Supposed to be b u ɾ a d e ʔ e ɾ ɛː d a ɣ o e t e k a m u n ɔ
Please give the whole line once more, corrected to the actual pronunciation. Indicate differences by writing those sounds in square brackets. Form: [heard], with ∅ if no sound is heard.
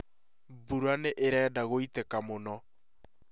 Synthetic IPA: b u ɾ a [n] e ʔ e ɾ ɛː d a ɣ o [i] t e k a m [o] n ɔ